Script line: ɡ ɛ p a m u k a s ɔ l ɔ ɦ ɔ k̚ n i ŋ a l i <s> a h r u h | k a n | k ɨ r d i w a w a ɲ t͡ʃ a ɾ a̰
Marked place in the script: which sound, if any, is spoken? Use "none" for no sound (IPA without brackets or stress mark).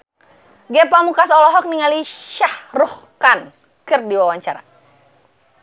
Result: ʃ